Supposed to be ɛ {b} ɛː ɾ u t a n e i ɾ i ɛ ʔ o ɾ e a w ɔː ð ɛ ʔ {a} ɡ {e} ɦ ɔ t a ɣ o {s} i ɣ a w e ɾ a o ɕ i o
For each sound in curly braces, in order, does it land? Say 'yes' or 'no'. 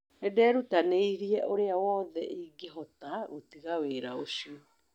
no, no, yes, no

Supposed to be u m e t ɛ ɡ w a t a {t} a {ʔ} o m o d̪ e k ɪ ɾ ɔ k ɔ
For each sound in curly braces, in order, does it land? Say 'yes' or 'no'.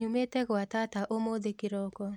yes, yes

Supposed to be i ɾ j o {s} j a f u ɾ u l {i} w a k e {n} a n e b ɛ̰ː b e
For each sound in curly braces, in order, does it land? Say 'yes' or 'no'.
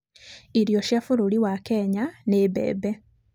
no, yes, no

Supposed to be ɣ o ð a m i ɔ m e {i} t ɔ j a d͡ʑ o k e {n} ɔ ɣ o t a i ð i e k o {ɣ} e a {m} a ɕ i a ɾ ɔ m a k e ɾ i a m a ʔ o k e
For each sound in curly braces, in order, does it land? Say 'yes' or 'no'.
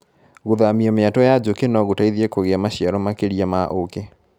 no, yes, yes, yes

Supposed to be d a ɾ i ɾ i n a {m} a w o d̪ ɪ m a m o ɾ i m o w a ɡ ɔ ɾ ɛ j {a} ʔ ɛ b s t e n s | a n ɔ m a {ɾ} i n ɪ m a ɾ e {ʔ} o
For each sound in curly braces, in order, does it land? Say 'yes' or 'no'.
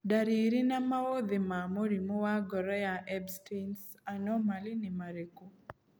yes, yes, no, no

